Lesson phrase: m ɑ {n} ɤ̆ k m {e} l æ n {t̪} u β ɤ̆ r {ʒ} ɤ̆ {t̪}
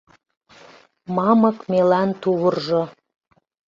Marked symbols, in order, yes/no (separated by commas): no, yes, yes, yes, no